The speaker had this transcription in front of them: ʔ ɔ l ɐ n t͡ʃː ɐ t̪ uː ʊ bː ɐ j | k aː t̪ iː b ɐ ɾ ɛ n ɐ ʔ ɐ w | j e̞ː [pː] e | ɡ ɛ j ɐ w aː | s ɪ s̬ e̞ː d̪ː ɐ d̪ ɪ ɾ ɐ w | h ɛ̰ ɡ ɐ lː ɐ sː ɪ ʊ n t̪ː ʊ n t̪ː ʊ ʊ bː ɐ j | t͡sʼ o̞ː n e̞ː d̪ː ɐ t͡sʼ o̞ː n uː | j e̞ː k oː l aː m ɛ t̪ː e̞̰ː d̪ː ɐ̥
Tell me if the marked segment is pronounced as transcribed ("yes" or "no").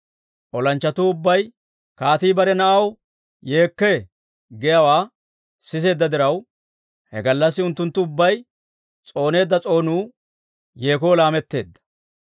no